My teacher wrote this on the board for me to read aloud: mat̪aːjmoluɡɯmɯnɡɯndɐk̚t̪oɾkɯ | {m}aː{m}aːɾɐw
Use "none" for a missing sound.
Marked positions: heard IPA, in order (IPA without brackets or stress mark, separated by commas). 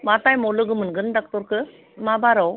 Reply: m, b